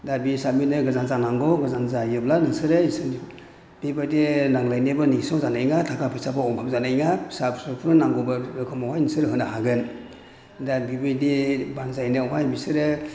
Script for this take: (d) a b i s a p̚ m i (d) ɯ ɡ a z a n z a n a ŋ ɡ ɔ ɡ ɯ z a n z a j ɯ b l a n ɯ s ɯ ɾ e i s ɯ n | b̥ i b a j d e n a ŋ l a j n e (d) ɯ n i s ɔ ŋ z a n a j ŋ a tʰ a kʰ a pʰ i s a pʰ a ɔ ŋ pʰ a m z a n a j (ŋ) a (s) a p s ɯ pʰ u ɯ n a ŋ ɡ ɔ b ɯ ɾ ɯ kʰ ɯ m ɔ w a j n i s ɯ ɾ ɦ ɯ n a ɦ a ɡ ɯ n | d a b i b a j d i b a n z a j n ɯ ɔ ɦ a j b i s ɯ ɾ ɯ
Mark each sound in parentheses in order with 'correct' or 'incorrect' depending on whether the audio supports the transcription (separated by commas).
correct, incorrect, incorrect, correct, correct